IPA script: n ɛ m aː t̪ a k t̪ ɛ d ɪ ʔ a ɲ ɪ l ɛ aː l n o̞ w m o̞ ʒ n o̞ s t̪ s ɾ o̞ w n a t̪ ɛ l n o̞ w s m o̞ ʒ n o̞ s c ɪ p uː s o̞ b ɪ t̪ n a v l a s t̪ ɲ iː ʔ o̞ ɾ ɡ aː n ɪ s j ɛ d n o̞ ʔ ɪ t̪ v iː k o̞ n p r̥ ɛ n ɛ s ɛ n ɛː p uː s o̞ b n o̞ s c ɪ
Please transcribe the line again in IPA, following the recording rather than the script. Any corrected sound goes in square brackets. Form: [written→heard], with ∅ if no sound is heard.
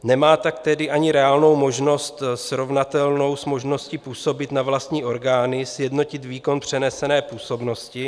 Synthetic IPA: n ɛ m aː t̪ a k t̪ ɛ d ɪ ʔ a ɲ ɪ [l→ɾ] ɛ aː l n o̞ w m o̞ ʒ n o̞ s t̪ s ɾ o̞ [w→v] n a t̪ ɛ l n o̞ w s m o̞ ʒ n o̞ s c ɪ p uː s o̞ b ɪ t̪ n a v l a s t̪ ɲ iː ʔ o̞ ɾ ɡ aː n ɪ s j ɛ d n o̞ [ʔ→c] ɪ t̪ v iː k o̞ n p r̥ ɛ n ɛ s ɛ n ɛː p uː s o̞ b n o̞ s c ɪ